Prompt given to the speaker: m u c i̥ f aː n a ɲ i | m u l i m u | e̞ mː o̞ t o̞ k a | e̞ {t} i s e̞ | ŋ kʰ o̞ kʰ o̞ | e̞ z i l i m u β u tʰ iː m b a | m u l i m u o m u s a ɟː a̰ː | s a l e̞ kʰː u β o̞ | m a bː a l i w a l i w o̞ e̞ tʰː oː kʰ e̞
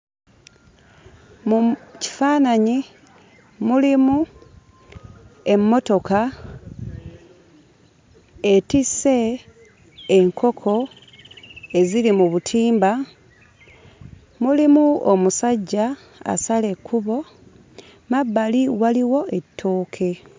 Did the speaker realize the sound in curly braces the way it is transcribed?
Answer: yes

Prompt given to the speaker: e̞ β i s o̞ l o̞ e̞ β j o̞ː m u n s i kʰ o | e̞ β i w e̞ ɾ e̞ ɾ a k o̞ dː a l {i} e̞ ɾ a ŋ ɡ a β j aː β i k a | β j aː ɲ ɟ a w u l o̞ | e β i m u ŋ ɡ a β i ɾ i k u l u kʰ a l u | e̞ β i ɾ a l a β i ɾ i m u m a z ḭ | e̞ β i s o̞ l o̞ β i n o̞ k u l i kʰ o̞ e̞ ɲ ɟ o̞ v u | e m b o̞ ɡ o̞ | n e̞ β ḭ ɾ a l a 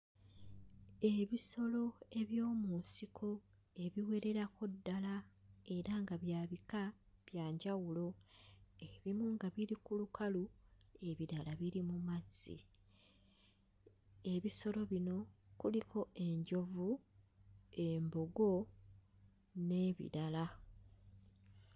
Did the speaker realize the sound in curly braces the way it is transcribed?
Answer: no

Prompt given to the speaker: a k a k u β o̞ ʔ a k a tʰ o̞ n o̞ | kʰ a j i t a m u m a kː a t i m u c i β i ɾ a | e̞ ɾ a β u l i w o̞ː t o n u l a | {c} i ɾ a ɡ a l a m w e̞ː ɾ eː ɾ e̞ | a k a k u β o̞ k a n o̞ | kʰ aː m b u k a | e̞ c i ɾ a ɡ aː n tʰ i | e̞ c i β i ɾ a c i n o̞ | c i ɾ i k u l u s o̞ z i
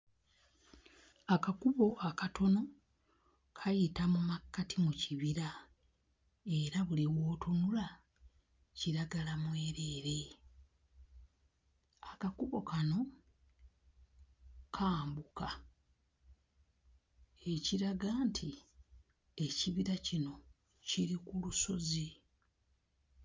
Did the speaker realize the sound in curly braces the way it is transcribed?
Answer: yes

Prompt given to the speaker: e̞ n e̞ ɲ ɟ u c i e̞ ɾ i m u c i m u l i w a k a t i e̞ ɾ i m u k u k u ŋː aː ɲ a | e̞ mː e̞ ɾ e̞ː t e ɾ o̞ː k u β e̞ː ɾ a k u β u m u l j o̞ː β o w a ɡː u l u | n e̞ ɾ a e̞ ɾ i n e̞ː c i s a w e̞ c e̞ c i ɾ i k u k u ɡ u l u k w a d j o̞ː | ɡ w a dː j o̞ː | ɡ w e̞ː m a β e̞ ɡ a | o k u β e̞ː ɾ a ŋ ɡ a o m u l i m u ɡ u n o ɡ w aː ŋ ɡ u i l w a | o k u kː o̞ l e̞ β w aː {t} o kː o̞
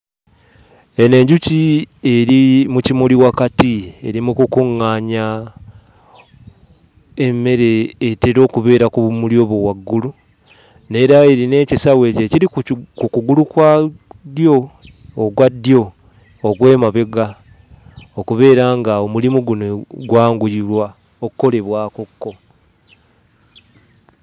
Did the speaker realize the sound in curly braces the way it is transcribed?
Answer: no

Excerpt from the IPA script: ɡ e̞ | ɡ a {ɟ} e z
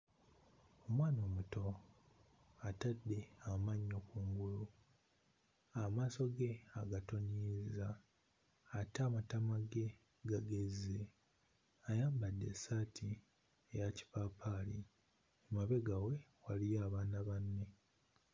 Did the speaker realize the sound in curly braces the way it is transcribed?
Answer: no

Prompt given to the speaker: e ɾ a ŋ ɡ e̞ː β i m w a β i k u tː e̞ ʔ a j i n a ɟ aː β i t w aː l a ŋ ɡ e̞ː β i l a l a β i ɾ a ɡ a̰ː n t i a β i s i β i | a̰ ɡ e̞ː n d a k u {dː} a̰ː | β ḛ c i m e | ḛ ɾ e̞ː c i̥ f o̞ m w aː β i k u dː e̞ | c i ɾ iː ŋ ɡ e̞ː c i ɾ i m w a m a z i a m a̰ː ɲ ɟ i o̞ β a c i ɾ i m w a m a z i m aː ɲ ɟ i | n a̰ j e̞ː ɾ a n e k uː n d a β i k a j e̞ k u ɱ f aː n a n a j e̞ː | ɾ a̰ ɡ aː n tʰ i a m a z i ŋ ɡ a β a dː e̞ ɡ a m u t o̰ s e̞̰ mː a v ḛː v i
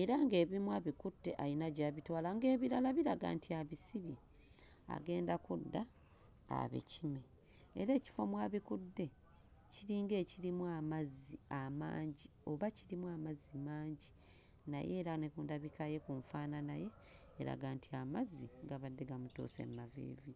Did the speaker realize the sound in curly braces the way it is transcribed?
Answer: yes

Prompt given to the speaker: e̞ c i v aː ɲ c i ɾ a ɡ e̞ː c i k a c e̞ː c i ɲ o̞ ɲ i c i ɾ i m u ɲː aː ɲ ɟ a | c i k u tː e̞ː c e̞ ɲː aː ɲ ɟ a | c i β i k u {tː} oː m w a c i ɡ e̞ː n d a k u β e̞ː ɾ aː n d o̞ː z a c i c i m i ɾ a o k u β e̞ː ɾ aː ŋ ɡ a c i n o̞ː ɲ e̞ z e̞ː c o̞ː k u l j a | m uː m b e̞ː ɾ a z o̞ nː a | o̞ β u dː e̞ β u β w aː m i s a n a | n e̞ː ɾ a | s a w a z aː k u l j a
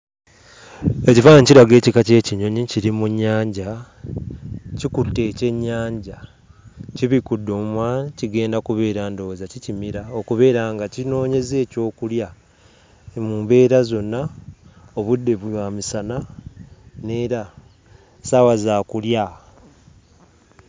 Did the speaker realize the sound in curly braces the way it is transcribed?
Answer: no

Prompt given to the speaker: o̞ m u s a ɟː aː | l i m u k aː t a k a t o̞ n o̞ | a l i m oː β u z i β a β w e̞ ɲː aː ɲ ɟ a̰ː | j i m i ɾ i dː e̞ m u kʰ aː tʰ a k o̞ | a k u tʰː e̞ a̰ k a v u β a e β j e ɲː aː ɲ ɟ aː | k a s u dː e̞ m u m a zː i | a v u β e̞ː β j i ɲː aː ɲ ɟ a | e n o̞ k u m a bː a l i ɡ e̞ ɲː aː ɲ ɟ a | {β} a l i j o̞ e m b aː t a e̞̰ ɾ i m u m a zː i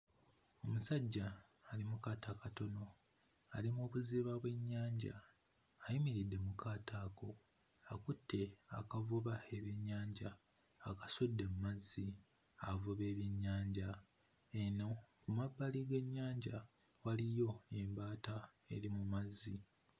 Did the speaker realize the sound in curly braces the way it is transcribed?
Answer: no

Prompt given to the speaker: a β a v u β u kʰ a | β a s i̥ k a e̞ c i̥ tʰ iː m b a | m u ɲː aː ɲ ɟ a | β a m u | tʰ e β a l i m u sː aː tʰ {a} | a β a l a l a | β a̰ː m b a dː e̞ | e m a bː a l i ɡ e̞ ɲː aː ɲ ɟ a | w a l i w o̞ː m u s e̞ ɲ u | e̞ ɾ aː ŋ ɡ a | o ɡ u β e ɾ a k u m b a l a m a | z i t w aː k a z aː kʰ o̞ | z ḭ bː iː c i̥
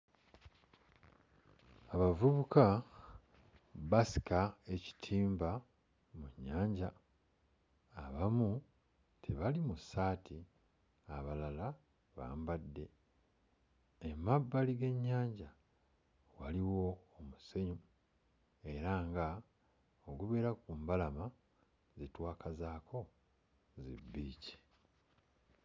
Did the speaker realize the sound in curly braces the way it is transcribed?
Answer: no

